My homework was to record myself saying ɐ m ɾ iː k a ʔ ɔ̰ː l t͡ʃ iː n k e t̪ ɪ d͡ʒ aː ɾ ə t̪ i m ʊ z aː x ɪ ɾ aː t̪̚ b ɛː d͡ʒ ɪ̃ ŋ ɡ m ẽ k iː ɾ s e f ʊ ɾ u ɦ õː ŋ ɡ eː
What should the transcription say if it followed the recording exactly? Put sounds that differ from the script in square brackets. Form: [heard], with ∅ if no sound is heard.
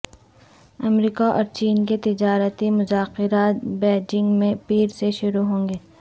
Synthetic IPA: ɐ m ɾ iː k a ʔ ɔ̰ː [ɾ] t͡ʃ iː n k e t̪ ɪ d͡ʒ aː ɾ ə t̪ i m ʊ z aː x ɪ ɾ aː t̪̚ b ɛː d͡ʒ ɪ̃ ŋ ɡ m ẽ [p] iː ɾ s e [ʃ] ʊ ɾ u ɦ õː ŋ ɡ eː